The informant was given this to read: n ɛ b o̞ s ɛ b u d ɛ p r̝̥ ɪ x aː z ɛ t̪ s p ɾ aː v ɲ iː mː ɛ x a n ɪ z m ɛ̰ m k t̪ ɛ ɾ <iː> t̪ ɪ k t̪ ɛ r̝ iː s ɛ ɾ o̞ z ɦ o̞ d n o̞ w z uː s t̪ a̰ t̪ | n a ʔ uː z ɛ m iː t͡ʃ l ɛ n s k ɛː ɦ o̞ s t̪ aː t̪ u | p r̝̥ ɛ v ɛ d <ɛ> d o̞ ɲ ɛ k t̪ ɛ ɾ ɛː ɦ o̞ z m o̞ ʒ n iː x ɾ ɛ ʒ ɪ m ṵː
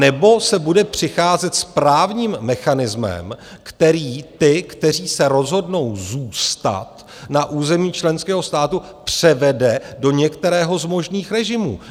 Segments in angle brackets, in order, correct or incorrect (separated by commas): correct, correct